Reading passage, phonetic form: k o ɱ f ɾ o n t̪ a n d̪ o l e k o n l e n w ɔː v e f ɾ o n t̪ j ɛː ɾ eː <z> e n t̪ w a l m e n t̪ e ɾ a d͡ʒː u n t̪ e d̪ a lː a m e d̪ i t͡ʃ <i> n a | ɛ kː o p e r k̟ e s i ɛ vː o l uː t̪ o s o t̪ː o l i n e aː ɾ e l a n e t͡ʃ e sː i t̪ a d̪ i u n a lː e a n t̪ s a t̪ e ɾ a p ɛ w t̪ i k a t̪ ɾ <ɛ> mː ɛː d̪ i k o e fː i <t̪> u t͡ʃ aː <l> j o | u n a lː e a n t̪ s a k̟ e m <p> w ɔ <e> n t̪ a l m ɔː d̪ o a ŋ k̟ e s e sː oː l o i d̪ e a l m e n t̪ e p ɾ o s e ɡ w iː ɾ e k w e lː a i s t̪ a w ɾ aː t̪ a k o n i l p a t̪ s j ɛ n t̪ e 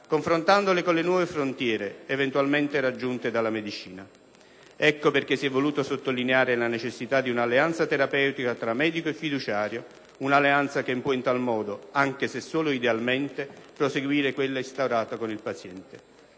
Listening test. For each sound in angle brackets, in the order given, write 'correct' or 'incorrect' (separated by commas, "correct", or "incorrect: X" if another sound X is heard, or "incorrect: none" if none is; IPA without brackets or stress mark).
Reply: incorrect: v, incorrect: iː, incorrect: a, incorrect: d̪, incorrect: ɾ, correct, incorrect: i